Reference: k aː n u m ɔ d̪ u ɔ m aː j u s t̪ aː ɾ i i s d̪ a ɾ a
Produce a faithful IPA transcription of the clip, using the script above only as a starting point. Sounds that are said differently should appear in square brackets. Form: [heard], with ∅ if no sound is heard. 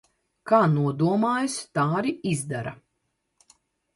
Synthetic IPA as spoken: k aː n u [∅] ɔ d̪ u ɔ m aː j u s t̪ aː ɾ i i [z] d̪ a ɾ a